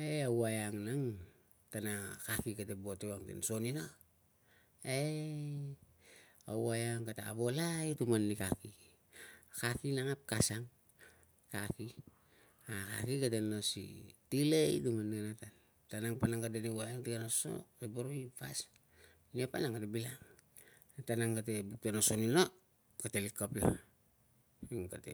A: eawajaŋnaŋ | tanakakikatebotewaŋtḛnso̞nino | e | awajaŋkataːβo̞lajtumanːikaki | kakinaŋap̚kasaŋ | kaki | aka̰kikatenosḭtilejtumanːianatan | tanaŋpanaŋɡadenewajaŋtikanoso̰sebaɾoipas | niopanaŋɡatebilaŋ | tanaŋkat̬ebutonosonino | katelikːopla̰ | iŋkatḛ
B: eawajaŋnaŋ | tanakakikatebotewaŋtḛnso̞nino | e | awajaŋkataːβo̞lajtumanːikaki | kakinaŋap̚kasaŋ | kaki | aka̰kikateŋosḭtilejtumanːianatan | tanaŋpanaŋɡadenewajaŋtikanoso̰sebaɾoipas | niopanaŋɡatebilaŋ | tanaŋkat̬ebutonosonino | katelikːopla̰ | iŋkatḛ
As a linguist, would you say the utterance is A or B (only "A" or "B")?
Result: A